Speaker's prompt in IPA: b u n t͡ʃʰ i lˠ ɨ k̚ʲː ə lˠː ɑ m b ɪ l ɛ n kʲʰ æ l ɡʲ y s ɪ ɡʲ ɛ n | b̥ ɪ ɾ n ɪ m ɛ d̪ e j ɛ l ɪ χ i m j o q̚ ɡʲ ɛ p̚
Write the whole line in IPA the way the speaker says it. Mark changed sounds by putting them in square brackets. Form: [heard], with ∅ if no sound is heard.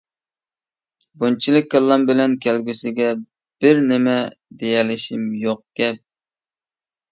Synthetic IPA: b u n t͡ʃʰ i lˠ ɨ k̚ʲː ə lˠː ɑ m b ɪ l ɛ n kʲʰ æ l ɡʲ y s ɪ ɡʲ ɛ [∅] | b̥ ɪ ɾ n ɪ m ɛ d̪ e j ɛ l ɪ [ʃ] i m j o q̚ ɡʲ ɛ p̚